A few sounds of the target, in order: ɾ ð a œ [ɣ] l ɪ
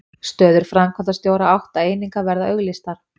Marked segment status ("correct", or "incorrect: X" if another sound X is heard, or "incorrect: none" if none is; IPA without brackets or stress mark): correct